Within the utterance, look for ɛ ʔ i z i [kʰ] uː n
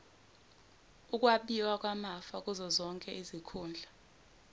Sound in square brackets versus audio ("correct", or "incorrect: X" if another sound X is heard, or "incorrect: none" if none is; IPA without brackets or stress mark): correct